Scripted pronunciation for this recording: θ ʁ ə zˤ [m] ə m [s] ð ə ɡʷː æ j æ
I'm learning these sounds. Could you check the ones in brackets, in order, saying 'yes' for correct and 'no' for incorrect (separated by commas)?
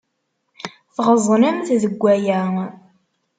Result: no, no